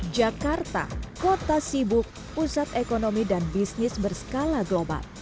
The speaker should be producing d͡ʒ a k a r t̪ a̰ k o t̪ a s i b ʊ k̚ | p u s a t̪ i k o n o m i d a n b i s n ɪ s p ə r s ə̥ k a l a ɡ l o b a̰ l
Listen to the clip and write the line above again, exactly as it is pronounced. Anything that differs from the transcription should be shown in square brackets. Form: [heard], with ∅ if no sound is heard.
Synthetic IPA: d͡ʒ a k a r t̪ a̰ k o t̪ a s i b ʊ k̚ | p u s a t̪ [e] k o n o m i d a n b i s n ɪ s [b] ə r s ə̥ k a l a ɡ l o b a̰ l